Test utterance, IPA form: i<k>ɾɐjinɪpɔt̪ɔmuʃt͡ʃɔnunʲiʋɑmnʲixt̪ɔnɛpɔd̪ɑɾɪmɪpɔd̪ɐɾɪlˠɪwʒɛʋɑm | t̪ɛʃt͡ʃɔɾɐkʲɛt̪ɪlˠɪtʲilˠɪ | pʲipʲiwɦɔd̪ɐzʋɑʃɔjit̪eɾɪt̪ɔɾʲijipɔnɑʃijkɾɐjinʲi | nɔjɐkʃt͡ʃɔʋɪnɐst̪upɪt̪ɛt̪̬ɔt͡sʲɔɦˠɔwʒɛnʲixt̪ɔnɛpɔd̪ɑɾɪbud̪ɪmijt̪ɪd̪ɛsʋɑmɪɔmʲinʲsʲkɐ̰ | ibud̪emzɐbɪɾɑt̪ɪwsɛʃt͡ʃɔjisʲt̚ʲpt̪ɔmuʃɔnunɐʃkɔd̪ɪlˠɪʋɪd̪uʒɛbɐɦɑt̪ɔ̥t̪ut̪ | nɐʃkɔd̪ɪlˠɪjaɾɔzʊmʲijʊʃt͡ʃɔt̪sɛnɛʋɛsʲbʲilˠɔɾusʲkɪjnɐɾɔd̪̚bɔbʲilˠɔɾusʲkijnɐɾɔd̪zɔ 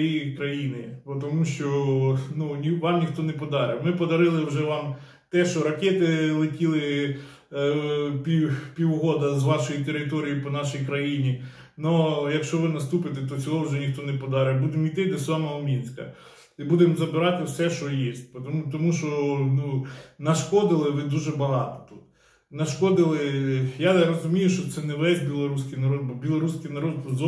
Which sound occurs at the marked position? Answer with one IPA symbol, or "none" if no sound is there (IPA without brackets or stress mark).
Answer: k